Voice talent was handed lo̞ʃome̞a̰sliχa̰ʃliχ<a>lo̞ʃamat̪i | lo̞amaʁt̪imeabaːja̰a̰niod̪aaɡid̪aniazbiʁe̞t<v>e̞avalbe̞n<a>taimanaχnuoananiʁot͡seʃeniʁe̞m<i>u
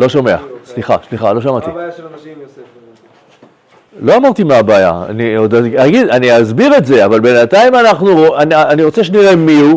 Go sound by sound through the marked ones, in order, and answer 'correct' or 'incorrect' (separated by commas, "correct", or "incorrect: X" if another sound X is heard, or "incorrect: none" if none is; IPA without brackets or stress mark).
correct, incorrect: z, correct, correct